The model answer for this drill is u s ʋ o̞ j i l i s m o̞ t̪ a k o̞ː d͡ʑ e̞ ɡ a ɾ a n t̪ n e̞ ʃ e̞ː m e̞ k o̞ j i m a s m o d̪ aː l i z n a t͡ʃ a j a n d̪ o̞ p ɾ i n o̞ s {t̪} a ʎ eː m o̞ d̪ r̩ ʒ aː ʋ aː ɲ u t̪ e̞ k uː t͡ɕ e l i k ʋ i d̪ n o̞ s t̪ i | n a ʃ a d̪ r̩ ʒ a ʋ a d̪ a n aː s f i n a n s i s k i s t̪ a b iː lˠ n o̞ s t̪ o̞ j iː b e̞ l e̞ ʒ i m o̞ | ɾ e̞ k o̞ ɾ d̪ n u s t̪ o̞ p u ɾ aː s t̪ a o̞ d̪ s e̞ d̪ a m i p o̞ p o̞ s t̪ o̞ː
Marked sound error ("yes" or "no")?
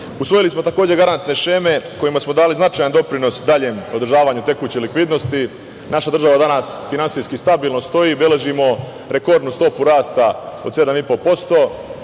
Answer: yes